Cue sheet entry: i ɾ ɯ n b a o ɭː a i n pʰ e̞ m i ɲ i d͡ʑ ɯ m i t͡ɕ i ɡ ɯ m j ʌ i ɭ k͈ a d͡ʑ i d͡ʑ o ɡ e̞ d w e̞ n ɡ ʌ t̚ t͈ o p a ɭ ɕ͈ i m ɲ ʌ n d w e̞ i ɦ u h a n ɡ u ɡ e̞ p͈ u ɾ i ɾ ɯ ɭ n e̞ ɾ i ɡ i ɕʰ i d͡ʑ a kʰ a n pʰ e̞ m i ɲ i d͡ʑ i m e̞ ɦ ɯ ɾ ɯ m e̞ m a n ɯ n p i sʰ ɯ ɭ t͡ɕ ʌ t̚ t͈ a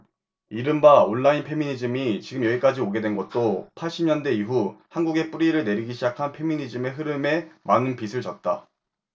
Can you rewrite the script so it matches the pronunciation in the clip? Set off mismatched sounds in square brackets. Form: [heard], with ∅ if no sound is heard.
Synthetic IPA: i ɾ ɯ [m] b a o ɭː a i n pʰ e̞ m i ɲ i d͡ʑ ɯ m i t͡ɕ i ɡ ɯ m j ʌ i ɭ k͈ a d͡ʑ i [∅] o ɡ e̞ d w e̞ n ɡ ʌ t̚ t͈ o [pʰ] a ɭ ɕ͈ i m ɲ ʌ n d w e̞ i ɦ u h a n ɡ u ɡ e̞ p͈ u ɾ i ɾ ɯ ɭ n e̞ ɾ i ɡ i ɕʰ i d͡ʑ a kʰ a n pʰ e̞ m i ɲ i d͡ʑ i m e̞ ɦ ɯ ɾ ɯ m e̞ m a n ɯ n p i sʰ ɯ ɭ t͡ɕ ʌ t̚ t͈ a